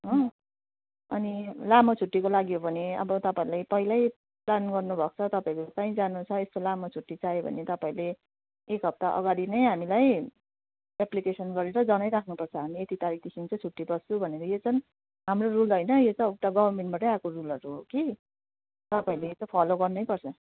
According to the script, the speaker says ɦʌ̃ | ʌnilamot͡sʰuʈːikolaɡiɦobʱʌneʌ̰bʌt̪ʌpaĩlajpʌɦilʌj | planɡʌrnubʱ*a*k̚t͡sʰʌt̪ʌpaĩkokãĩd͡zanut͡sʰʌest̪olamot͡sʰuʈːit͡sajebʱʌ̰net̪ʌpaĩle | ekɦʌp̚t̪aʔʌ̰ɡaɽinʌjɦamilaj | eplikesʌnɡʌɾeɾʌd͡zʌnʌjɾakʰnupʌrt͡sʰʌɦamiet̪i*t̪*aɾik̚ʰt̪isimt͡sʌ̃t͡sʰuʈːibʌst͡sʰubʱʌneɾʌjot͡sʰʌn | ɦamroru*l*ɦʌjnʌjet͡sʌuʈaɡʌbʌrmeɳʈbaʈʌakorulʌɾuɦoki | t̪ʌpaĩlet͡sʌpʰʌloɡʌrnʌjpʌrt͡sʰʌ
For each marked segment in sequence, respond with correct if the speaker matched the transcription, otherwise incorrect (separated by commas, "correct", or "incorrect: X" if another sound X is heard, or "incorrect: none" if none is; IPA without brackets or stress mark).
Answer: incorrect: ʌ, correct, correct